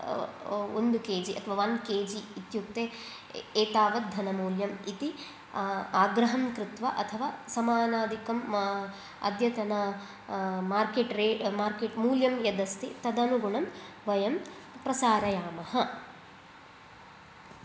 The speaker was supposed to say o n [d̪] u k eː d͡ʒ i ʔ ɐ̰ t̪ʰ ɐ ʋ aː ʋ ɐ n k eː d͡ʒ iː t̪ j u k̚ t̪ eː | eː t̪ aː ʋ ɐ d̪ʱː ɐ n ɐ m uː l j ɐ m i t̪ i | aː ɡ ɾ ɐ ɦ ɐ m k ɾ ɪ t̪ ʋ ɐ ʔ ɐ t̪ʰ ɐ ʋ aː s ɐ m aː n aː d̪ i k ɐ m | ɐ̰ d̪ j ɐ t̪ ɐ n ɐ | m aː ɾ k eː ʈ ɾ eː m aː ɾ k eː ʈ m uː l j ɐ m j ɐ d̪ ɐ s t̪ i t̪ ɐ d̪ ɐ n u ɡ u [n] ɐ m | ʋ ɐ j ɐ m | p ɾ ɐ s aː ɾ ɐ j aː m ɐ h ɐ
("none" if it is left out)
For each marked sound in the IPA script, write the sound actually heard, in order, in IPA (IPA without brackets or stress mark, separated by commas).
d̪, ɳ